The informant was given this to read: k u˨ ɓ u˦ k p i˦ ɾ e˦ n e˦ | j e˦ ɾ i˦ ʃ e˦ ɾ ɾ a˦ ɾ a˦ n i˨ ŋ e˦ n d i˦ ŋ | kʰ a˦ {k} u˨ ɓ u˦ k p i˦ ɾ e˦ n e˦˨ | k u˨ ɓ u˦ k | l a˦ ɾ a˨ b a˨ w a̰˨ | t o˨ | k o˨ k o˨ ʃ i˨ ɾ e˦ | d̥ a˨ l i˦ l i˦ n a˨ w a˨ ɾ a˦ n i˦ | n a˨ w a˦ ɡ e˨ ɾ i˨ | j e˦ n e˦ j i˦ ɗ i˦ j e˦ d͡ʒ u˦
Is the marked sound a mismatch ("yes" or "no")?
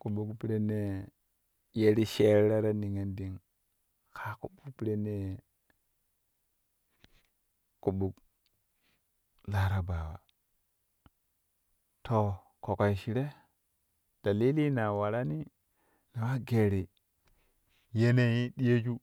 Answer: no